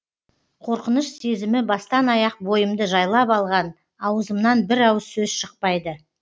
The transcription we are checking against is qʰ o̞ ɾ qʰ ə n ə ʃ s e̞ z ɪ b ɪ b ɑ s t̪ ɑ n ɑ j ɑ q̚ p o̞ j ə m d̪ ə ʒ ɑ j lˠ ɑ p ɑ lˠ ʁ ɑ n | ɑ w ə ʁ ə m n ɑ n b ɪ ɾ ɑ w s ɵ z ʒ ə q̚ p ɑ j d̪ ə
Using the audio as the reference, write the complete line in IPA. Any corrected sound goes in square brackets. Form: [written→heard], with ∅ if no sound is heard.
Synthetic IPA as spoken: qʰ o̞ ɾ [qʰ→q] ə n ə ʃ s e̞ z ɪ [b→m] ɪ b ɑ s t̪ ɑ n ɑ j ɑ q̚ [p→b] o̞ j ə m d̪ ə ʒ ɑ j lˠ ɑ p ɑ lˠ ʁ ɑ n | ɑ w ə [ʁ→z] ə m n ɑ n b ɪ ɾ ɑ w s ɵ z [ʒ→ʃ] ə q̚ p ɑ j d̪ ə

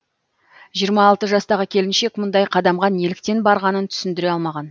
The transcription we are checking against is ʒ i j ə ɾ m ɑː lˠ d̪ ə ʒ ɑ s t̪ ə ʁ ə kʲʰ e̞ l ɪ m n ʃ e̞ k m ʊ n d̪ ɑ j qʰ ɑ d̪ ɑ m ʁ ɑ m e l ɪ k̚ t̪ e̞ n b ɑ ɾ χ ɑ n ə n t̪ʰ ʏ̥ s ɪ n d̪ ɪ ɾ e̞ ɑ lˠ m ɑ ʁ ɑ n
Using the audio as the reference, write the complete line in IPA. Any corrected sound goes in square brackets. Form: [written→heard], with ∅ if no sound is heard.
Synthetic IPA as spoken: ʒ i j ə ɾ m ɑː lˠ [d̪→t̪] ə ʒ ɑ s t̪ [ə→ɑ] ʁ ə kʲʰ e̞ l ɪ [m→∅] n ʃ e̞ k m ʊ n d̪ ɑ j qʰ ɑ d̪ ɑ m ʁ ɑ [m→n] e l ɪ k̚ t̪ e̞ n b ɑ ɾ [χ→ʁ] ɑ n ə n t̪ʰ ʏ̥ s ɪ n d̪ ɪ ɾ e̞ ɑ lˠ m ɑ ʁ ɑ n

